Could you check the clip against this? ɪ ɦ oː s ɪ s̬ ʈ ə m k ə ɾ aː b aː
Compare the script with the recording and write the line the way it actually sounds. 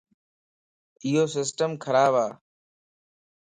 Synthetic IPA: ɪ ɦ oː s ɪ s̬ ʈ ə m kʰ ə ɾ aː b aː